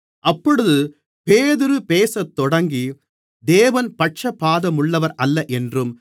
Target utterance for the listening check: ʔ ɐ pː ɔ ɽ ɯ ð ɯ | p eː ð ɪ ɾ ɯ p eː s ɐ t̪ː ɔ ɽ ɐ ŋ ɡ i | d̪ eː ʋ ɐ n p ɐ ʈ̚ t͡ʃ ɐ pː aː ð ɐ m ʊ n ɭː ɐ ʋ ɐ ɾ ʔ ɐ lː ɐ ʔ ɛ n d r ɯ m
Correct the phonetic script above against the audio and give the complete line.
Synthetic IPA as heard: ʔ ɐ pː ɔ ɽ ɯ ð ɯ | p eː ð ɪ ɾ ɯ p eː s ɐ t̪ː ɔ ɽ ɐ ŋ ɡ i | d̪ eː ʋ ɐ n p ɐ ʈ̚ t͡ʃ ɐ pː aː ð ɐ m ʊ ɭː ɐ ʋ ɐ ɾ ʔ ɐ lː ɐ ʔ ɛ n d r ɯ m

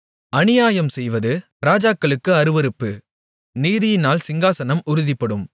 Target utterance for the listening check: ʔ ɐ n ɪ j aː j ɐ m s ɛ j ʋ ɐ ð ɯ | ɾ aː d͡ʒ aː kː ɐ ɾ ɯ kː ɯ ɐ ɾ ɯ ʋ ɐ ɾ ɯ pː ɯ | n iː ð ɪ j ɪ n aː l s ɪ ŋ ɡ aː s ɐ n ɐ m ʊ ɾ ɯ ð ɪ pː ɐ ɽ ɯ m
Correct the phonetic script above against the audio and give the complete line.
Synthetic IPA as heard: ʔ ɐ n ɪ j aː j ɐ m s ɛ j ʋ ɐ ð ɯ | ɾ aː d͡ʒ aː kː ɐ ɭ ɯ kː ɯ ɐ ɾ ɯ ʋ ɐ ɾ ɯ pː ɯ | n iː ð ɪ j ɪ n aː l s ɪ ŋ ɡ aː s ɐ n ɐ m ʊ ɾ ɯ ð ɪ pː ɐ ɽ ɯ m

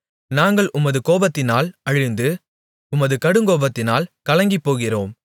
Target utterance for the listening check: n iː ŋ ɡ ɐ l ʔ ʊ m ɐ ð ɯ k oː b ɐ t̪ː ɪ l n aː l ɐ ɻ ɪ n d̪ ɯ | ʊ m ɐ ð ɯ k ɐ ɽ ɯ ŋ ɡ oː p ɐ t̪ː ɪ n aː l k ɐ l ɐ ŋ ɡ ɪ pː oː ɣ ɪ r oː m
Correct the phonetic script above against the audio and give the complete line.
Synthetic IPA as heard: n aː ŋ ɡ ɐ ɭ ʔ ʊ m ɐ ð ɯ k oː b ɐ t̪ː ɪ n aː l ɐ ɻ ɪ n d̪ ɯ | ʊ m ɐ ð ɯ k ɐ ɽ ɯ ŋ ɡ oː b ɐ t̪ː ɪ n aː l k ɐ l ɐ ŋ ɡ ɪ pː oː ɣ ɪ r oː m

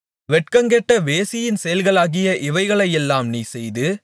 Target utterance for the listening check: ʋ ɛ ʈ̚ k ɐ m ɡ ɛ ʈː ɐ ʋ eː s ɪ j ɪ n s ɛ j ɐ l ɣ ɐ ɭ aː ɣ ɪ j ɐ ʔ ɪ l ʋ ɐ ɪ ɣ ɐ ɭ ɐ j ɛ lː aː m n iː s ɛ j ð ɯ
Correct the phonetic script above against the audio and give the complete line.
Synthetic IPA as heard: ʋ ɛ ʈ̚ k ɐ ŋ ɡ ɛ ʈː ɐ ʋ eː s ɪ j ɪ n s ɛ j ɐ l ɣ ɐ ɭ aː ɣ ɪ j ɐ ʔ ɪ ʋ ɐ ɪ ɣ ɐ ɭ ɐ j ɛ lː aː m n iː s ɛ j ð ɯ

